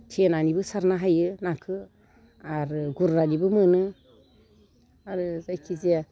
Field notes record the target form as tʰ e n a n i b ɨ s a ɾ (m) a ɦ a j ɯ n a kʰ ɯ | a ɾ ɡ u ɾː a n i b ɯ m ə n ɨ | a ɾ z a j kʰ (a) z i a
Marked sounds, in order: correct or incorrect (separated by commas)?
incorrect, incorrect